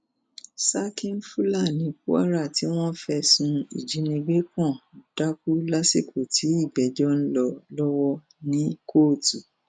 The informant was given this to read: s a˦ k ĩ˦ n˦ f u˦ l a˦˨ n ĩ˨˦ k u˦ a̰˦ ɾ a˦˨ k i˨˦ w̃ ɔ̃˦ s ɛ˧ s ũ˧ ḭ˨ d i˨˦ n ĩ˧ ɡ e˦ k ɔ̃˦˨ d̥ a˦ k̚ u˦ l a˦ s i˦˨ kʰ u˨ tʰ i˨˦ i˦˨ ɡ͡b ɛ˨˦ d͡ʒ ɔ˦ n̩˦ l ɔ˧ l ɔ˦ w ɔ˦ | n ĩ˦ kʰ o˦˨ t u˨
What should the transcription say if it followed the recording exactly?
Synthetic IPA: s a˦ k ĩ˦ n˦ f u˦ l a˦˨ n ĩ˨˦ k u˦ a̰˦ ɾ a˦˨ t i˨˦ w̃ ɔ̃˦ f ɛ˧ s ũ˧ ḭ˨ d͡ʒ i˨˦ n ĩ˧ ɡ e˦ k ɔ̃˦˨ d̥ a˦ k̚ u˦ l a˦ s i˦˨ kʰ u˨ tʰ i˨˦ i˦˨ ɡ͡b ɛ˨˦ d͡ʒ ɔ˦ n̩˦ l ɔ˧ l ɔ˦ w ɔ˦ | n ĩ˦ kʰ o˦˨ t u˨